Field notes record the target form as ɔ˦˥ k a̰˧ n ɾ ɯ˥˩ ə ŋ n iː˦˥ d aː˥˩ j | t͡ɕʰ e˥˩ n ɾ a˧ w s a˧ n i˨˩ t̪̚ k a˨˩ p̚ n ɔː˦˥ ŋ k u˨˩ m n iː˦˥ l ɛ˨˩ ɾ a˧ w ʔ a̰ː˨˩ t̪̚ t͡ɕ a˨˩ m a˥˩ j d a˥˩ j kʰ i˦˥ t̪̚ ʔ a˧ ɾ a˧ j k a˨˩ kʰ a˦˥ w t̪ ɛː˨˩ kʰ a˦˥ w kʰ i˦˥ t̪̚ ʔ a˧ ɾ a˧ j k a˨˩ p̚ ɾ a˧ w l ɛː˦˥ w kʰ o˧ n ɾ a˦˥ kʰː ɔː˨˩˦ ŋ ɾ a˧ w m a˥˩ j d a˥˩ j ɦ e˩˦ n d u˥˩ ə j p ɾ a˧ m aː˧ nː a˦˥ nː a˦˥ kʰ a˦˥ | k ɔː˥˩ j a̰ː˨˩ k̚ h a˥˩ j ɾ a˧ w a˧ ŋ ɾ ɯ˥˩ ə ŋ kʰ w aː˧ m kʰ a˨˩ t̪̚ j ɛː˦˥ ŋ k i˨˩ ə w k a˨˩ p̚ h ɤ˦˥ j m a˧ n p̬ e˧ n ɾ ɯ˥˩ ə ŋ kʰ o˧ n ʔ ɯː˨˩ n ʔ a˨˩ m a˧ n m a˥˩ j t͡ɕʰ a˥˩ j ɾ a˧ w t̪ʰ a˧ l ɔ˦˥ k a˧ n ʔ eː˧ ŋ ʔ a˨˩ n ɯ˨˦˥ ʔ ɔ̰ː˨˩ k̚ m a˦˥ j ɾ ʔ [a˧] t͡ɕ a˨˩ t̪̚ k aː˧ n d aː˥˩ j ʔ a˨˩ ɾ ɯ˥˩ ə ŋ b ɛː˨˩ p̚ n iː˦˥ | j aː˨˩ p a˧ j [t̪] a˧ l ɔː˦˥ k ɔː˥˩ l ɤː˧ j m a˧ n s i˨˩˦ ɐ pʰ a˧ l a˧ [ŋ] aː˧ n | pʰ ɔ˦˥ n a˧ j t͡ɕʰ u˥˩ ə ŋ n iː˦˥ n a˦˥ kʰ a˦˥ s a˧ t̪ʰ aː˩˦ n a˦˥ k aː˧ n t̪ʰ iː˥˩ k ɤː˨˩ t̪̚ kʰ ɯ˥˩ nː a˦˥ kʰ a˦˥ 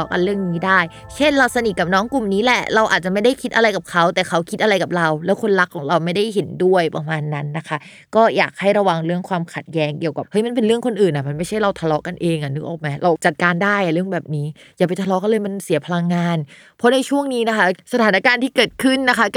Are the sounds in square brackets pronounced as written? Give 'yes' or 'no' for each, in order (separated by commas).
yes, no, no